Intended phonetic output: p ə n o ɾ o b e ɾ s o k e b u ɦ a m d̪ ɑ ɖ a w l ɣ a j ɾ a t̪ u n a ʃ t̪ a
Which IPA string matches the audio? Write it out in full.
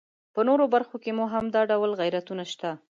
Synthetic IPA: p ə n o ɾ o b a ɾ x o k e m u ɦ a m d̪ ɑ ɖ a w l ɣ a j ɾ a t̪ u n a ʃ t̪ a